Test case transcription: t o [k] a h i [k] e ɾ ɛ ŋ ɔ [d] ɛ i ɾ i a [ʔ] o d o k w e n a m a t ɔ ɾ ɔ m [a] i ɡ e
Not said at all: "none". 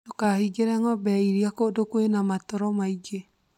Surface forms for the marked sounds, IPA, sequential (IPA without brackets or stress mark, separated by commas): k, ɡ, b, k, a